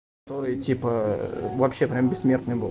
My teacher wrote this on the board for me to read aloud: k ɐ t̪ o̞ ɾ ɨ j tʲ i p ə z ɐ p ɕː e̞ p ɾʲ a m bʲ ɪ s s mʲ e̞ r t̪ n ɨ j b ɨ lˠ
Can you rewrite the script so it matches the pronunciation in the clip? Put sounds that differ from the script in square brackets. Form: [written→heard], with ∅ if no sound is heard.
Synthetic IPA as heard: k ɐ t̪ o̞ ɾ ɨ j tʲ i p ə [z→v] ɐ p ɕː e̞ p ɾʲ a m bʲ ɪ s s mʲ e̞ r t̪ n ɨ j b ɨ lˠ